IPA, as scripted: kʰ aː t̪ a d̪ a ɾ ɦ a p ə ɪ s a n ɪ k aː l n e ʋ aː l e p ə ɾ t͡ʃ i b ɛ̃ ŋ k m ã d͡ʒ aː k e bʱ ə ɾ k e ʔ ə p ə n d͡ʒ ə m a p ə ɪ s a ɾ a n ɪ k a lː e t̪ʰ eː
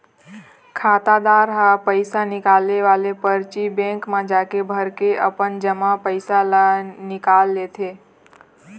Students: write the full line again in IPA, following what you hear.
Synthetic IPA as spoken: kʰ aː t̪ a d̪ a ɾ ɦ a p ə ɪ s a n ɪ k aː l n e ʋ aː l e p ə ɾ t͡ʃ i b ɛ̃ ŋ k m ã d͡ʒ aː k e bʱ ə ɾ k e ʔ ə p ə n d͡ʒ ə m a p ə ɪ s a l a n ɪ k a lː e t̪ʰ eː